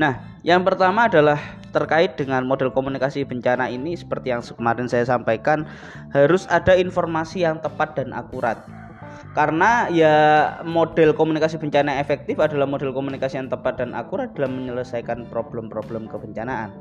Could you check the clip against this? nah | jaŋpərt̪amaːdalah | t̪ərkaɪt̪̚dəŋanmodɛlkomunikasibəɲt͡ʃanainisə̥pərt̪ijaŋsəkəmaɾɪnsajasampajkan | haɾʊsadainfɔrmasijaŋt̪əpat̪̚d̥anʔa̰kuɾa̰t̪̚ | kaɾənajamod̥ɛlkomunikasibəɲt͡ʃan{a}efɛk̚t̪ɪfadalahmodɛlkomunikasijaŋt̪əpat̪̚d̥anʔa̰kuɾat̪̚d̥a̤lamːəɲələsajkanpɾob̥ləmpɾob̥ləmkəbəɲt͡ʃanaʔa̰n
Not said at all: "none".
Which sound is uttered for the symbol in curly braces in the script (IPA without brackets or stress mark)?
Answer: a